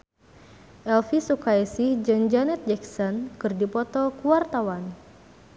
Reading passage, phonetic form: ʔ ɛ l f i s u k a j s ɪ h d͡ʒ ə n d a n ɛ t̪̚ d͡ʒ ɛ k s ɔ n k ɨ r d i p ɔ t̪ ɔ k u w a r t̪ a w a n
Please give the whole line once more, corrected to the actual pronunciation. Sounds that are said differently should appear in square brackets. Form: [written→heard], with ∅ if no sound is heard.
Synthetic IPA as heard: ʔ ɛ l f i s u k a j s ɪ h d͡ʒ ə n [d→d͡ʒ] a n ɛ t̪̚ d͡ʒ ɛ k s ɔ n k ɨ r d i p ɔ t̪ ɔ k u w a r t̪ a w a n